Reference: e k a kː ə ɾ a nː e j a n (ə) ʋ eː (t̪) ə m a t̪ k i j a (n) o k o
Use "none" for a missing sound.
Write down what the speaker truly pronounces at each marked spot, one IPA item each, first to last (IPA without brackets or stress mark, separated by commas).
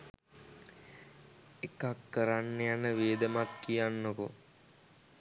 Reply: ə, d̪, nː